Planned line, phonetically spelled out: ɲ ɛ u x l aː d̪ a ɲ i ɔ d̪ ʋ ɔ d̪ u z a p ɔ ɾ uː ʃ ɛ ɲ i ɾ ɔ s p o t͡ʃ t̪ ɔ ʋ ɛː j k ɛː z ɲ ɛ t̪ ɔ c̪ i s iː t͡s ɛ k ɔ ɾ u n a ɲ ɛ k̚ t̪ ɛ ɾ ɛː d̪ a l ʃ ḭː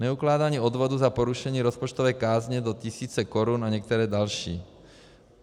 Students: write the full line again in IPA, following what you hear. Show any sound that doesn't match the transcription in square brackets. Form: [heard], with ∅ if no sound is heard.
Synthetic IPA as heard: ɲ ɛ u [k] l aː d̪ a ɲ i ɔ d̪ ʋ ɔ d̪ u z a p ɔ ɾ [u] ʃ ɛ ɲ [iː] ɾ ɔ s p [ɔ] t͡ʃ t̪ ɔ ʋ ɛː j k [aː] z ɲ ɛ [d̪] ɔ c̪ i s iː t͡s ɛ k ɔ ɾ u n a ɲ ɛ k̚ t̪ ɛ ɾ ɛː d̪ a l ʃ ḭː